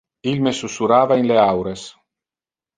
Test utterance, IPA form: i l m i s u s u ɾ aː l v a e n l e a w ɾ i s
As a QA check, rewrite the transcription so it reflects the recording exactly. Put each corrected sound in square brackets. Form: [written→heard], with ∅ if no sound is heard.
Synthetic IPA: i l m [i→e] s u s u ɾ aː [l→∅] v a [e→i] n l e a w ɾ [i→e] s